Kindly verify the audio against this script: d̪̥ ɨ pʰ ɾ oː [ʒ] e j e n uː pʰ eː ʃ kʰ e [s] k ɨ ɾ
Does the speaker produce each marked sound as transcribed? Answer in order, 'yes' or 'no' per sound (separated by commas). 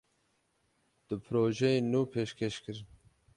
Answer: yes, no